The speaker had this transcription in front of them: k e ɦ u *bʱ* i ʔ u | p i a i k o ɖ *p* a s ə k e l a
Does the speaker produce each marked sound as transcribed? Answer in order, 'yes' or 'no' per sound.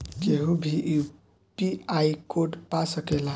yes, yes

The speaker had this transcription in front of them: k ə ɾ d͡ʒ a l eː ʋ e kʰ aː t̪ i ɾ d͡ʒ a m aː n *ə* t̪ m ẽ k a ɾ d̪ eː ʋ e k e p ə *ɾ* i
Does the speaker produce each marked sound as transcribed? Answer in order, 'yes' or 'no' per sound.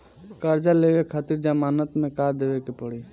yes, no

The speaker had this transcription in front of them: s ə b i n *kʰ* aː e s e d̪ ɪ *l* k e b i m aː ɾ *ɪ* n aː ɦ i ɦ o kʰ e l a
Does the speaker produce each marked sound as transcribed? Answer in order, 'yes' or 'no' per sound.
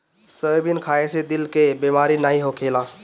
yes, yes, no

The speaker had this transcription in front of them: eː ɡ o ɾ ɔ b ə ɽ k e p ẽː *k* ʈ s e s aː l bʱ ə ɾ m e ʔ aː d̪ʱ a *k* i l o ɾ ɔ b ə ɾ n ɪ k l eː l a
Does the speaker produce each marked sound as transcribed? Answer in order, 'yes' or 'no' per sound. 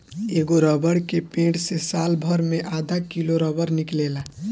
no, yes

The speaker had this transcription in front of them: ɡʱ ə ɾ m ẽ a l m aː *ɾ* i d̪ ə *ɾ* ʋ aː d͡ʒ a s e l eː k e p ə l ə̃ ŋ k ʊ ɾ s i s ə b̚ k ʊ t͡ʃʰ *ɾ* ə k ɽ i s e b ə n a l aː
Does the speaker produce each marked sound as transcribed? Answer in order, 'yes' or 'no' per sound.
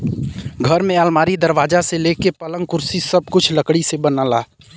yes, yes, no

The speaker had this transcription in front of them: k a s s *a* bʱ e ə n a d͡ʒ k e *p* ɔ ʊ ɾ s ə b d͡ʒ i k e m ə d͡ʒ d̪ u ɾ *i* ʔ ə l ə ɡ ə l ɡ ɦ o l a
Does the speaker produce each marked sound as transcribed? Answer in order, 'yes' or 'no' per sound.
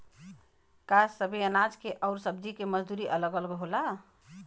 no, no, yes

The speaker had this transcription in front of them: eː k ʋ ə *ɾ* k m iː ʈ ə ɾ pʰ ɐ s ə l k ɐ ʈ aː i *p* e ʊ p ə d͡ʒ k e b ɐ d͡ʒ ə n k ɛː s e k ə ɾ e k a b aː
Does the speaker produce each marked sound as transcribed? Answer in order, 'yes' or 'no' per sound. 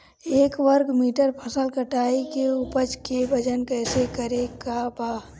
yes, no

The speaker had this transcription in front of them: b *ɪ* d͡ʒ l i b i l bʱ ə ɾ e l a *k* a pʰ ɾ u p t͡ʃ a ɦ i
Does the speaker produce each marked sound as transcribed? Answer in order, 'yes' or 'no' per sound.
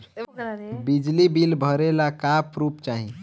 no, yes

